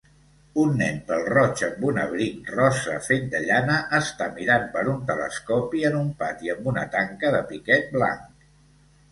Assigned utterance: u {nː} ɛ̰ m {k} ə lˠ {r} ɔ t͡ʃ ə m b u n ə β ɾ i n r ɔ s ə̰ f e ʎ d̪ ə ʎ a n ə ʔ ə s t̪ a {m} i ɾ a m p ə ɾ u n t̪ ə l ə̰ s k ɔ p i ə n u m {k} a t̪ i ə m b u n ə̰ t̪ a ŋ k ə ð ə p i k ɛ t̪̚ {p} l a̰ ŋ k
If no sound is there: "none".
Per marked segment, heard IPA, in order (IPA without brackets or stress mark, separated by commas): nː, p, r, m, p, b